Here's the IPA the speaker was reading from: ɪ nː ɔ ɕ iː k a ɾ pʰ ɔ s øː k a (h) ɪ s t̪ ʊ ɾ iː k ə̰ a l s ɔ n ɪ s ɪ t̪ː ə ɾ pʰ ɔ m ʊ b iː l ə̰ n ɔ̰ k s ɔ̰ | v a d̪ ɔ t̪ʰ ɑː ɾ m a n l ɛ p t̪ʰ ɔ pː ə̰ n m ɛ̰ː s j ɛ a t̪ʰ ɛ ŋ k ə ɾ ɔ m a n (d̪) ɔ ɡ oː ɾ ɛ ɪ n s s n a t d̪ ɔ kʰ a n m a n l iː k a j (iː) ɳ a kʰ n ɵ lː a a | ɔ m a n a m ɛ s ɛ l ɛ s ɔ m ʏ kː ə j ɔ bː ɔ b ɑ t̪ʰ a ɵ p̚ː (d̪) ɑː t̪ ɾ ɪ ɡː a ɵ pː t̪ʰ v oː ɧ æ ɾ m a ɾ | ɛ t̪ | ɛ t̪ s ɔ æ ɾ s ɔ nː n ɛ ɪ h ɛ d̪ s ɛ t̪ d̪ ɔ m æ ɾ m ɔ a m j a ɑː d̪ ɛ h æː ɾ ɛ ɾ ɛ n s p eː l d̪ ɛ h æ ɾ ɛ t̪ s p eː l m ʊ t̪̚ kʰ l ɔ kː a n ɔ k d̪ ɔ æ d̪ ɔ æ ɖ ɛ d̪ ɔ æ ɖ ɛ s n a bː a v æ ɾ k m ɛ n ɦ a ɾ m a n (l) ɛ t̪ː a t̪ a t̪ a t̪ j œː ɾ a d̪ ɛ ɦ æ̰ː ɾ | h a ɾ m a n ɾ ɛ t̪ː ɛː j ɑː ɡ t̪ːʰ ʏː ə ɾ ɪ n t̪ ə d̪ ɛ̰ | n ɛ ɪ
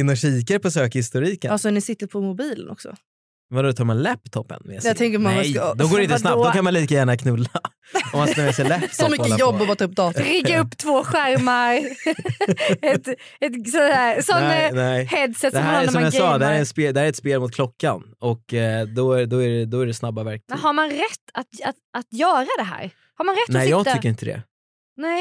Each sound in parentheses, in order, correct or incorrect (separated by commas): correct, correct, incorrect, correct, incorrect